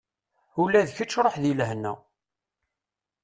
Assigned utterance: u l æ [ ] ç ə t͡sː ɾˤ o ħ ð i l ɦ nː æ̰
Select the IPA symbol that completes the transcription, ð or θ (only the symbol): ð